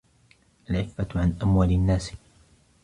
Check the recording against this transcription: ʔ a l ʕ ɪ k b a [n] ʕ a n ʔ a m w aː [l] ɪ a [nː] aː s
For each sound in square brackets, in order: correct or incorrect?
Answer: incorrect: none, correct, correct

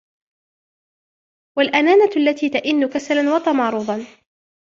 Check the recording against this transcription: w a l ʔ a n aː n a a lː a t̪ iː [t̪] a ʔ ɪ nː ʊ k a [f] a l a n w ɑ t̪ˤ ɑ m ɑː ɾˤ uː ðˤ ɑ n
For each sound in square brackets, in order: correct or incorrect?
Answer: correct, incorrect: s

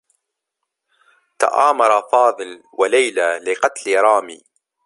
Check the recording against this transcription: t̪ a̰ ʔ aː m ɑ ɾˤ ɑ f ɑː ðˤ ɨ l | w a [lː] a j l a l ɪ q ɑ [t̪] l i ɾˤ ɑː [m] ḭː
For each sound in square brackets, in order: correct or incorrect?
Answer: incorrect: l, correct, correct

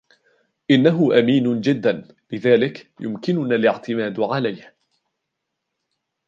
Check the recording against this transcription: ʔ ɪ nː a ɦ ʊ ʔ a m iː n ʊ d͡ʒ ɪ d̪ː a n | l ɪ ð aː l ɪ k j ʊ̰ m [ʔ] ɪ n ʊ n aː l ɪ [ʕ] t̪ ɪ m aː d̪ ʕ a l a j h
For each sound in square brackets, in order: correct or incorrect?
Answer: incorrect: k, correct

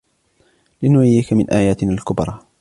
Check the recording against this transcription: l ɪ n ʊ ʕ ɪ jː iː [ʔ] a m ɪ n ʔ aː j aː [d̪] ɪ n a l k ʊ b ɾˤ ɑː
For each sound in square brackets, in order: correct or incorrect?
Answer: incorrect: k, incorrect: t̪

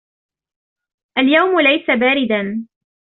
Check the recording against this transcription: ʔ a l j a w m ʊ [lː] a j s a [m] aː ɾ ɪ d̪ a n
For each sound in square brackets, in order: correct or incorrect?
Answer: incorrect: l, incorrect: b

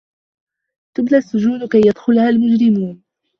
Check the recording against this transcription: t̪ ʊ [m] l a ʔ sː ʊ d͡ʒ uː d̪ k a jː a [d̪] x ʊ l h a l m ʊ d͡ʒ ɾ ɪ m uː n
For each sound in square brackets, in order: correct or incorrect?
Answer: incorrect: b, correct

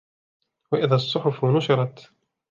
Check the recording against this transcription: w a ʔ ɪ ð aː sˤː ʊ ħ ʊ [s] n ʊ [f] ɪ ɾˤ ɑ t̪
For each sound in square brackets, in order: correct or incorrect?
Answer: incorrect: f, incorrect: ʃ

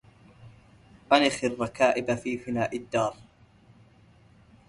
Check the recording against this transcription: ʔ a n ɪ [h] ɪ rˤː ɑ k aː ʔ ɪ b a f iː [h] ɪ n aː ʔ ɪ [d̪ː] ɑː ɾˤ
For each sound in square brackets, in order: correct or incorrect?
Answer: incorrect: x, incorrect: f, correct

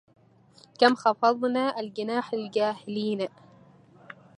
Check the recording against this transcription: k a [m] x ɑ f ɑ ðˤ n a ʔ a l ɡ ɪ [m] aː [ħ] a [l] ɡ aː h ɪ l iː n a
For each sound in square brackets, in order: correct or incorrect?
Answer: correct, incorrect: n, correct, correct

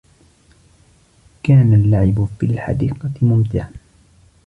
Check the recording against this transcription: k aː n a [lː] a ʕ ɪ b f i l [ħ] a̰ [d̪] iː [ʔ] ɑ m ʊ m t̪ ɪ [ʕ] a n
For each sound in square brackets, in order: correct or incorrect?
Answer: correct, correct, correct, incorrect: q, correct

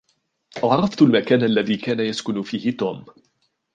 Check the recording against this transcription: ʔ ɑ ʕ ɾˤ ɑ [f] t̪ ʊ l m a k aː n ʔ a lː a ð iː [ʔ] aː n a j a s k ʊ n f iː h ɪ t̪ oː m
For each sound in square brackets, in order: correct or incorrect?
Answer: correct, incorrect: k

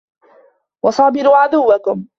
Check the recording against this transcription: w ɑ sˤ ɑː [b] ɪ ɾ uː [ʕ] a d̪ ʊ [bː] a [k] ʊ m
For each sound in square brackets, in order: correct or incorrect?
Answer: correct, correct, incorrect: wː, correct

